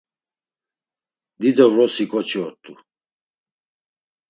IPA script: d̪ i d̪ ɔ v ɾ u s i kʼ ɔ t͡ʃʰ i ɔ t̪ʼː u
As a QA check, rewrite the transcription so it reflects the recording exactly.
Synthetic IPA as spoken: d̪ i d̪ ɔ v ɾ ɔ s i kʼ ɔ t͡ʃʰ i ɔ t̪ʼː u